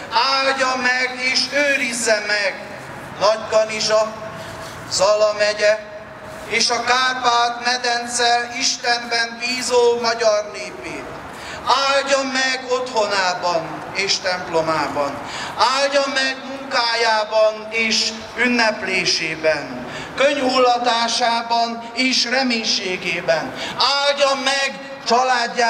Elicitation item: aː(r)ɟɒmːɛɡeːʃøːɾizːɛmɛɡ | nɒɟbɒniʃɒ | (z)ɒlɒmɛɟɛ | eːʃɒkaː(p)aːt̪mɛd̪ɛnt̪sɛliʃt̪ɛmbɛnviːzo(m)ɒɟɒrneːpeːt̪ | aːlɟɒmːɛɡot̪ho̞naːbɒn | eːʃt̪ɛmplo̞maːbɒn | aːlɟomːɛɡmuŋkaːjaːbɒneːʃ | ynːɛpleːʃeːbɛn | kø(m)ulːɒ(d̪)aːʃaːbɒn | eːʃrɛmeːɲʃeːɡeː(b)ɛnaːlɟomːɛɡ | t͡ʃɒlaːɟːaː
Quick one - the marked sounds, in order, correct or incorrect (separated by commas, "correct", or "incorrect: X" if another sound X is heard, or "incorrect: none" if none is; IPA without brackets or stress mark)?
incorrect: l, correct, correct, correct, incorrect: ɲ, incorrect: t̪, correct